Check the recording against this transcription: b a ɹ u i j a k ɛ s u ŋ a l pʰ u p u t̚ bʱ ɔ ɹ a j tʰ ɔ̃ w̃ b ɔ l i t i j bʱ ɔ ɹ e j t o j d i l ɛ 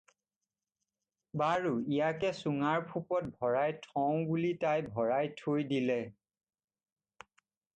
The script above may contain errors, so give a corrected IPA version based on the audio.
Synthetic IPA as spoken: b a ɹ u i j a k ɛ s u ŋ a ɹ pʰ u p ɔ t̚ bʱ ɔ ɹ a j tʰ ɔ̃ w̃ b u l i t a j bʱ ɔ ɹ a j tʰ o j d i l ɛ